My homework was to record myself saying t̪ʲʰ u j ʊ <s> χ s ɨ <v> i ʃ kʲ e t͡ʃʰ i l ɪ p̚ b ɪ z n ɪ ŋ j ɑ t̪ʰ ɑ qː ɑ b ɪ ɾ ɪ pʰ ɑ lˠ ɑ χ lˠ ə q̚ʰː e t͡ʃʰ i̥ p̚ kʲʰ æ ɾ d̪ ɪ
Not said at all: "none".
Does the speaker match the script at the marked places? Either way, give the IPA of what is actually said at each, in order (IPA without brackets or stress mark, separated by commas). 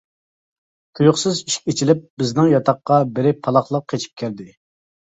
none, z